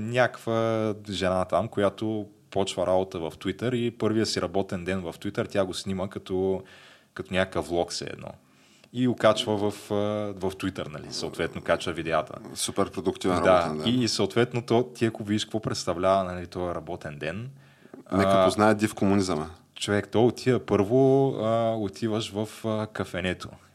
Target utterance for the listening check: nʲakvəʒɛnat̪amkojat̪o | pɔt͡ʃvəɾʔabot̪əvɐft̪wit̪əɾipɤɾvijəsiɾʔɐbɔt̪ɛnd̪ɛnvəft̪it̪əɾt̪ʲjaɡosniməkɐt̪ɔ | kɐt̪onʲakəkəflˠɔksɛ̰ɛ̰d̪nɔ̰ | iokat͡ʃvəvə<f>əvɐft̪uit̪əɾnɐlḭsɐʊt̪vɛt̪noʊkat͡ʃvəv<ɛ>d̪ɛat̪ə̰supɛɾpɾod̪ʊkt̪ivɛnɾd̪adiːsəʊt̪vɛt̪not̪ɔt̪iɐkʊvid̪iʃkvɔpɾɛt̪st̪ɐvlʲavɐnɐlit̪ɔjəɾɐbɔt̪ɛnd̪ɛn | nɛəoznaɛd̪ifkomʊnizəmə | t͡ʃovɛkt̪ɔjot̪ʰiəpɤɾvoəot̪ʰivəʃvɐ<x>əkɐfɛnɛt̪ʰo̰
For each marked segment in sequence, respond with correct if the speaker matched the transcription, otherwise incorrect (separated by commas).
correct, incorrect, incorrect